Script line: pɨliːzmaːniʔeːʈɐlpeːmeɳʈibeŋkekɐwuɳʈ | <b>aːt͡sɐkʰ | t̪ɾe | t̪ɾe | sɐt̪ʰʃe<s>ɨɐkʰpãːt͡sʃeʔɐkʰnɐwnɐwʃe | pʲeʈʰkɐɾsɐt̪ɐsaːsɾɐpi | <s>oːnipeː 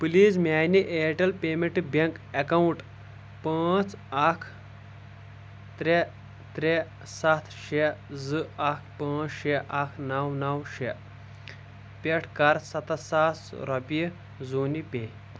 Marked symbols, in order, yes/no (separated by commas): no, no, no